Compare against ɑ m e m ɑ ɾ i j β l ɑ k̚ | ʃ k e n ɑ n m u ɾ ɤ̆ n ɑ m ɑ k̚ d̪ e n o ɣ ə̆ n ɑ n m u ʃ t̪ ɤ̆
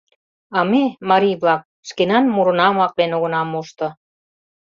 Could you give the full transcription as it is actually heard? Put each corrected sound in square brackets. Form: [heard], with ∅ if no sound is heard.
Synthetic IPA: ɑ m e m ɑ ɾ i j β l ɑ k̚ | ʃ k e n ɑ n m u ɾ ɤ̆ n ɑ m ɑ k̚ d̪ e n o ɣ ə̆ n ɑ [∅] m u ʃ t̪ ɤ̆